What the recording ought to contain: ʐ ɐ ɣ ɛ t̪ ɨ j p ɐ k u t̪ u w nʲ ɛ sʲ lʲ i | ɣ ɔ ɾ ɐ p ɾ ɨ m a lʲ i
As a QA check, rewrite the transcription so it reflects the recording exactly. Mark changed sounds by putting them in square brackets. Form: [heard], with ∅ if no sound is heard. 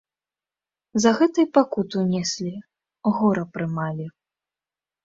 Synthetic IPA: [z] ɐ ɣ ɛ t̪ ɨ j p [a] k u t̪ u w nʲ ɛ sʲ lʲ i | ɣ ɔ ɾ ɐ p ɾ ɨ m a lʲ i